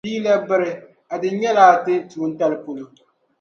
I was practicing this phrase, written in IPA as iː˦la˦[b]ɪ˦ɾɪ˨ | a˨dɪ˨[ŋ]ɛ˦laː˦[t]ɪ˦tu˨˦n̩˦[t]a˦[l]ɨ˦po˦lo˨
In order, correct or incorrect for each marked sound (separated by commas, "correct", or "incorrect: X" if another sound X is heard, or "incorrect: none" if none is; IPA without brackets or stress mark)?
correct, incorrect: ɲ, correct, correct, correct